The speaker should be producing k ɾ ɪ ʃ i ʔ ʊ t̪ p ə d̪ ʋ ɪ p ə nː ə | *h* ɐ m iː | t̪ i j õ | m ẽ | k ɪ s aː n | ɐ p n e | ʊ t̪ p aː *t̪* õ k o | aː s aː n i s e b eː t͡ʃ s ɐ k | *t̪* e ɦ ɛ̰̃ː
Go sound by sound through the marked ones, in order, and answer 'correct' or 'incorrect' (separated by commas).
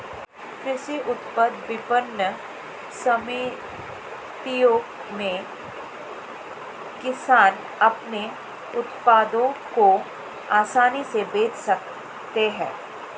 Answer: incorrect, incorrect, correct